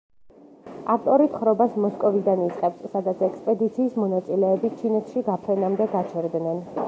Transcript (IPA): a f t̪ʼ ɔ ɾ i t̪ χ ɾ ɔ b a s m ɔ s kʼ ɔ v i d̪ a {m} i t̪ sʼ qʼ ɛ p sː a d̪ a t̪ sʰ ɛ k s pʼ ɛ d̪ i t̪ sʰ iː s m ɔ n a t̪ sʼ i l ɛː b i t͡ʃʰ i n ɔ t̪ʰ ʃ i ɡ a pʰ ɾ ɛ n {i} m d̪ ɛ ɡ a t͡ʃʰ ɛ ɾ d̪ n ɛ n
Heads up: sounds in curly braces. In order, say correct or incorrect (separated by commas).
incorrect, incorrect